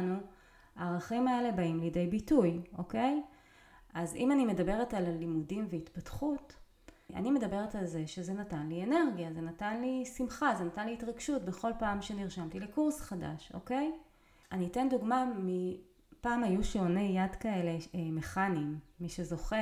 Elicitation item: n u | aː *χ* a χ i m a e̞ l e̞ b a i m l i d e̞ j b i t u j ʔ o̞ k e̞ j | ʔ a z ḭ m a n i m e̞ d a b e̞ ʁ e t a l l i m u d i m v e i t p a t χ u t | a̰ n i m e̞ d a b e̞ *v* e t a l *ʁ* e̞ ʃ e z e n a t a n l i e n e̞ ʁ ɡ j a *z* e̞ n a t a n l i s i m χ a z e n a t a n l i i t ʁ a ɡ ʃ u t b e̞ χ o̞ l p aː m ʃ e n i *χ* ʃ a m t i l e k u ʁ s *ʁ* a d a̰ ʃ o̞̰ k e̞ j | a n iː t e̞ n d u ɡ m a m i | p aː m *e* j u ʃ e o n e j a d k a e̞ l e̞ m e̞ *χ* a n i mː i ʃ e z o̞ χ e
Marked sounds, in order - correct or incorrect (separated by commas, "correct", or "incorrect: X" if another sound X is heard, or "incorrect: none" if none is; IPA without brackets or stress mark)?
incorrect: ʁ, incorrect: ʁ, incorrect: z, correct, incorrect: ʁ, incorrect: χ, incorrect: a, correct